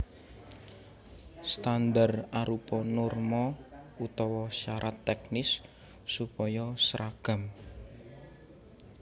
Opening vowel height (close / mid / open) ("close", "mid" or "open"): open